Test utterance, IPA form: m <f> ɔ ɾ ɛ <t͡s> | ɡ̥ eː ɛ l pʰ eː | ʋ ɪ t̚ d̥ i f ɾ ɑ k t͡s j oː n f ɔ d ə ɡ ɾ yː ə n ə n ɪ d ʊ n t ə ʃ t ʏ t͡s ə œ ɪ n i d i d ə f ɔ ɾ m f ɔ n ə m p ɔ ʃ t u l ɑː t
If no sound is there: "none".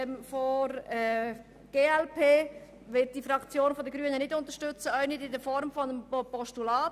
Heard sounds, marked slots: f, none

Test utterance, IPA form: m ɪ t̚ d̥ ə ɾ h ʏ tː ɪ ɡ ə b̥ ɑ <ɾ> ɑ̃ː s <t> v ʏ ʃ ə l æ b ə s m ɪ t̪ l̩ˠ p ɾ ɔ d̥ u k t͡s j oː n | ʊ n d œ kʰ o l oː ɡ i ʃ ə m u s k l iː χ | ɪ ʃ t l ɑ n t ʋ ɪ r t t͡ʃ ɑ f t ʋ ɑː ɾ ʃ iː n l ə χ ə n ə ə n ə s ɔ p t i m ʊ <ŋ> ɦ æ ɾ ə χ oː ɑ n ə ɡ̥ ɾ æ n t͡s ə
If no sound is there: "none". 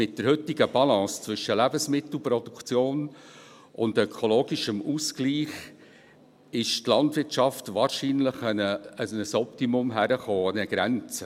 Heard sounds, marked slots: l, t͡s, m

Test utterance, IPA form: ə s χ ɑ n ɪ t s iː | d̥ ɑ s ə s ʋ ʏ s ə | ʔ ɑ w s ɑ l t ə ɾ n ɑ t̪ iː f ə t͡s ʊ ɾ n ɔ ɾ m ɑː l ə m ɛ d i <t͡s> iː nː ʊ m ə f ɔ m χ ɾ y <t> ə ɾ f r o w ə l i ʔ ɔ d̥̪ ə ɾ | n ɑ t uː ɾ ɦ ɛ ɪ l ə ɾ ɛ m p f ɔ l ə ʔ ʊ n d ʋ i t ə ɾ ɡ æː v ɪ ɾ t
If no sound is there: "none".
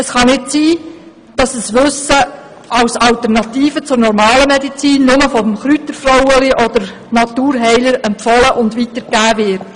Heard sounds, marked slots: t͡s, t

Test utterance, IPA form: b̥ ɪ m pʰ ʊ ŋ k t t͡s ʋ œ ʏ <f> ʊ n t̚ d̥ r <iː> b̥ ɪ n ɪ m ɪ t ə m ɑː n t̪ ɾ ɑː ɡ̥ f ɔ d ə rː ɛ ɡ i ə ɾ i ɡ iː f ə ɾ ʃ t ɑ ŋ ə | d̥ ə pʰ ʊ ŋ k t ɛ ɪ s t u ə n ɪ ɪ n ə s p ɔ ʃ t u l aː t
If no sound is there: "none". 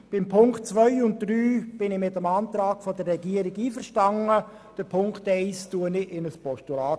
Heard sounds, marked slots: none, yː

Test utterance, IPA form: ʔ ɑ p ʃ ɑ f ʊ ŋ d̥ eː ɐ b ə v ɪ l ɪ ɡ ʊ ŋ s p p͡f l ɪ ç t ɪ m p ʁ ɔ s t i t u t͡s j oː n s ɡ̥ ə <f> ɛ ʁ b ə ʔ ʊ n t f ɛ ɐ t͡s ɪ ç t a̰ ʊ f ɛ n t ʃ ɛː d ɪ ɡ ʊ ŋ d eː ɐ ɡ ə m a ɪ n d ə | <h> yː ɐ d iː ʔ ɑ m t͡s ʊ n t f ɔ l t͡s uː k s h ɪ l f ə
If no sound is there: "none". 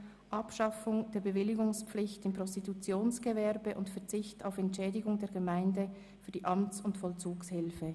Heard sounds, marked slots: v, f

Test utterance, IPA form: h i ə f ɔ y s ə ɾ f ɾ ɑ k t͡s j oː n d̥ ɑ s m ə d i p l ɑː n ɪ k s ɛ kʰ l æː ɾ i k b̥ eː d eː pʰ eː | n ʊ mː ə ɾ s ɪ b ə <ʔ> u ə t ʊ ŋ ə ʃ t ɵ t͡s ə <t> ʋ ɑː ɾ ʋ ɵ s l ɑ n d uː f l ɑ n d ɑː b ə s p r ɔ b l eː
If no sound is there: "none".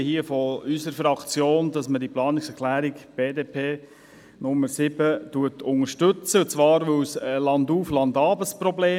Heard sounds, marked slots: t, t͡s

